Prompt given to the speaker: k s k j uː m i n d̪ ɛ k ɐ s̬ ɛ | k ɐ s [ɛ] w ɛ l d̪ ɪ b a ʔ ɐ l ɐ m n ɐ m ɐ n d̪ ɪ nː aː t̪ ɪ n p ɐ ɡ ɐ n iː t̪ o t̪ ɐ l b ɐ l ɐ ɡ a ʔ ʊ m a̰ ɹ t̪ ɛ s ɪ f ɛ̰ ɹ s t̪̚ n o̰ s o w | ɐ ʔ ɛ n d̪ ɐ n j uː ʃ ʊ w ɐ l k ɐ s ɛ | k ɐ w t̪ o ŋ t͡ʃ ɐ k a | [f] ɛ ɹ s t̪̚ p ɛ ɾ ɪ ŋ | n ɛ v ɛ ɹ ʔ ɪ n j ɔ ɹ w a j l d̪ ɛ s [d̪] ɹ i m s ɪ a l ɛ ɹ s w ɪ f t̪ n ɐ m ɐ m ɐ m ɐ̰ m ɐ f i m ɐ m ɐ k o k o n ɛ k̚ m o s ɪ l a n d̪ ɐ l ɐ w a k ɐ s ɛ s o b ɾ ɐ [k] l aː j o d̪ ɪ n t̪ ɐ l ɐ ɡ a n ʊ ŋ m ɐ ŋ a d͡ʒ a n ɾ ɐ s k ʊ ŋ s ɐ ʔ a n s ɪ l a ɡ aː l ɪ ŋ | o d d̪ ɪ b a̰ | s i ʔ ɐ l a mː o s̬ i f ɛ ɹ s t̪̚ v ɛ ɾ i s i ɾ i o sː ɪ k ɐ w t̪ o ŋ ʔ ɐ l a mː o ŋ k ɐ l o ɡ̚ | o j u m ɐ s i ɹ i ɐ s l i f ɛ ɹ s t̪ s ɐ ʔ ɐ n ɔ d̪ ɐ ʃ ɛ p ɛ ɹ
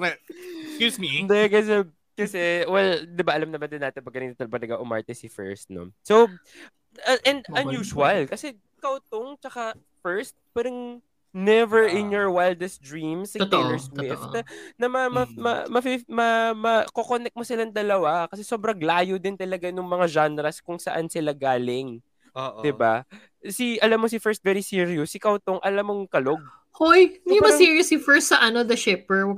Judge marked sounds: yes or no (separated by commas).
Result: yes, yes, yes, no